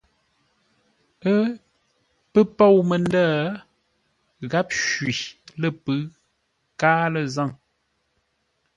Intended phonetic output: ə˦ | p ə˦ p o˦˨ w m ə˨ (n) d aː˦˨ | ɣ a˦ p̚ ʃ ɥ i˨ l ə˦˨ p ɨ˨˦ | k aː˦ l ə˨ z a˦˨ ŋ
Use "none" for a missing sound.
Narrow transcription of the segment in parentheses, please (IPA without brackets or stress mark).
n